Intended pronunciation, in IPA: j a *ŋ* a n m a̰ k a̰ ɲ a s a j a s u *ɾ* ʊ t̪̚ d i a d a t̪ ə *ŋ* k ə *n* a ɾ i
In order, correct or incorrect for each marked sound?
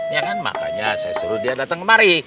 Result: correct, correct, correct, incorrect: m

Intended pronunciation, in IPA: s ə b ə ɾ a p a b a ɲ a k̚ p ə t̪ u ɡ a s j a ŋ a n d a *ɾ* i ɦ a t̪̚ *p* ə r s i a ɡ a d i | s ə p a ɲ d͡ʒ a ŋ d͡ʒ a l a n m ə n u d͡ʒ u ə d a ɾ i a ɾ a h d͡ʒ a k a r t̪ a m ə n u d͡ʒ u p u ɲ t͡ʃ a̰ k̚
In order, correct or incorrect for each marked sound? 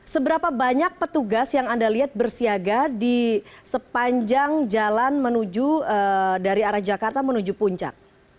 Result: incorrect: l, incorrect: b

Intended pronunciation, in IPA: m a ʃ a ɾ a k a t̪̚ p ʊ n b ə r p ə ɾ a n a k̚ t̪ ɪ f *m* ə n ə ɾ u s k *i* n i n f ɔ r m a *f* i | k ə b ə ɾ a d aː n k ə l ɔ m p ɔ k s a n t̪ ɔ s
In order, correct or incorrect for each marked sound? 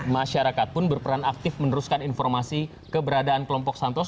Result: correct, incorrect: a, incorrect: s

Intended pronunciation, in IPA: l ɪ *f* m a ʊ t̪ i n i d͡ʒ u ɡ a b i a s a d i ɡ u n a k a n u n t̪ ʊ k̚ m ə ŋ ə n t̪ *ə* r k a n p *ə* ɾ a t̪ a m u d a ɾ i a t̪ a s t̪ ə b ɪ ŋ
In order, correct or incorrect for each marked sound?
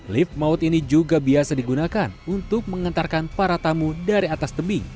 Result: correct, incorrect: a, incorrect: a

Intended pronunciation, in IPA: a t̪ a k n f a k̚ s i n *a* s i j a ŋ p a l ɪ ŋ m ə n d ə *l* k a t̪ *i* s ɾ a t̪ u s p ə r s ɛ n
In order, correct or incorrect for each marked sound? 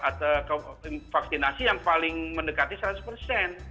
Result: correct, incorrect: none, correct

